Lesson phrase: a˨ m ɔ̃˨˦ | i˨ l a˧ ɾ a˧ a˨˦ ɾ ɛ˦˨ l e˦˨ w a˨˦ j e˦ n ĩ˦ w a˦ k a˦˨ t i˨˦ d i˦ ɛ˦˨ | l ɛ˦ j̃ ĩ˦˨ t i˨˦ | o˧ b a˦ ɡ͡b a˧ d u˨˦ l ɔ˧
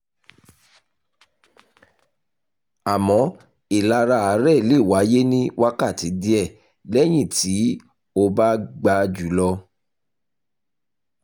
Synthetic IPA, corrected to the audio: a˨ m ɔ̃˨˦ | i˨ l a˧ ɾ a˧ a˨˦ ɾ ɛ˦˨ l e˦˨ w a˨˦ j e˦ n ĩ˦ w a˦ k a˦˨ t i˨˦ d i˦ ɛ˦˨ | l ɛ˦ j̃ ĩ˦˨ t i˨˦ | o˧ b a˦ ɡ͡b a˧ d͡ʒ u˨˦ l ɔ˧